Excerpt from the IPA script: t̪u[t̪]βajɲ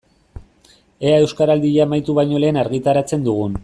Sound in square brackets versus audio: incorrect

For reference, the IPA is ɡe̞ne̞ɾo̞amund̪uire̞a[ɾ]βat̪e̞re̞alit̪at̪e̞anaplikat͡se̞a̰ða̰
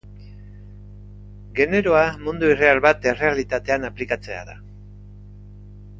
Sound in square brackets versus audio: incorrect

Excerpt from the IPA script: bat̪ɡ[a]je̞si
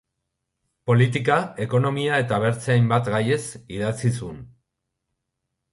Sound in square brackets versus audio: correct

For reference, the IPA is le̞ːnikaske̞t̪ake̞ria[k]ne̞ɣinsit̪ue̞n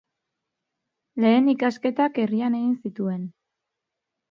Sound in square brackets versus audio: incorrect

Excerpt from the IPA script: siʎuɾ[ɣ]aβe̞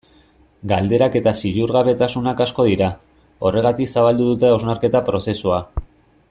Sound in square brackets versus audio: correct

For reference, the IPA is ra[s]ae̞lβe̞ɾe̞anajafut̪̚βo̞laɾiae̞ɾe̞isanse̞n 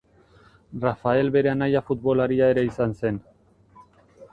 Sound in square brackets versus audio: incorrect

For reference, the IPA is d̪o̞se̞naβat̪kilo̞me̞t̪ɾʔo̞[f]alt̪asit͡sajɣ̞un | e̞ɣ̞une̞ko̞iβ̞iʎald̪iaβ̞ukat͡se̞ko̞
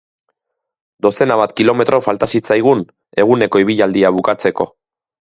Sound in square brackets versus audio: correct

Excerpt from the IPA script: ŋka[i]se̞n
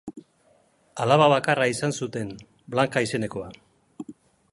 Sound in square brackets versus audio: correct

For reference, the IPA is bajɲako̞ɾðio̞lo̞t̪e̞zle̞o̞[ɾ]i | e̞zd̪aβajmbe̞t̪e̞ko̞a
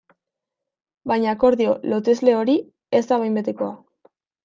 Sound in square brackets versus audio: correct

